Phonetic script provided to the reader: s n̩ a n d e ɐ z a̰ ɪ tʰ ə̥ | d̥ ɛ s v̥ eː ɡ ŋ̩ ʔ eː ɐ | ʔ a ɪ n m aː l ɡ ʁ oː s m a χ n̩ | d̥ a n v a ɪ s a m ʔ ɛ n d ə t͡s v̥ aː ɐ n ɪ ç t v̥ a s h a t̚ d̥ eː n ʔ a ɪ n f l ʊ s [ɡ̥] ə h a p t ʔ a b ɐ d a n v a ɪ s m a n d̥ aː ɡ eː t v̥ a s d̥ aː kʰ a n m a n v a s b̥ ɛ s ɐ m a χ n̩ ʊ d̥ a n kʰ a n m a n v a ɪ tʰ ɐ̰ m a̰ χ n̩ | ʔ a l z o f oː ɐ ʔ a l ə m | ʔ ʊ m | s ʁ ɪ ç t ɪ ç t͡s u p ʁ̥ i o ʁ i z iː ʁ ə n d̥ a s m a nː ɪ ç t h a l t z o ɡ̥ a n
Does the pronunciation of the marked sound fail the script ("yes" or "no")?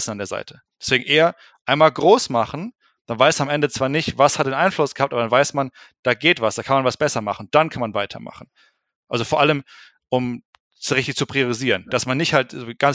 no